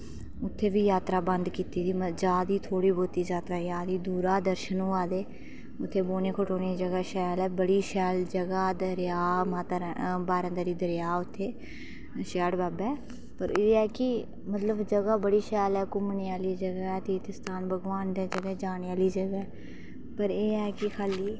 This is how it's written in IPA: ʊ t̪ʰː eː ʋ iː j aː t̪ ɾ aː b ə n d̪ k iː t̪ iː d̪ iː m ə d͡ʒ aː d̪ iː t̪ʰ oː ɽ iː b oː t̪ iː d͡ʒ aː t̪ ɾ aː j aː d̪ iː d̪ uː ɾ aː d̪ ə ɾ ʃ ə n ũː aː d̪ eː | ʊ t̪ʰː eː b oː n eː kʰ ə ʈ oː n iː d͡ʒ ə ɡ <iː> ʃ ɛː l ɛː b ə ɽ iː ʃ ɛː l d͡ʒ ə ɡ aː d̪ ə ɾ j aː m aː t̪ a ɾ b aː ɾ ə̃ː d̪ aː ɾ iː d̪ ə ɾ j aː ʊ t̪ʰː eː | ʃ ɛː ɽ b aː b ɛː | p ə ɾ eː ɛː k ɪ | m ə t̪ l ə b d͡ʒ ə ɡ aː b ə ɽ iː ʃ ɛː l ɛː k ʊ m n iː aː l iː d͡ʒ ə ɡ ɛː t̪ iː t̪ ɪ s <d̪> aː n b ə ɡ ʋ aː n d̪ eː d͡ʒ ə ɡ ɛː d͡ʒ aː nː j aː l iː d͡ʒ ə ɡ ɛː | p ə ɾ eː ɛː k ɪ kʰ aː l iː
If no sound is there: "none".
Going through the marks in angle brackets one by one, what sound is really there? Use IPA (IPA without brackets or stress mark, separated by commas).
aː, t̪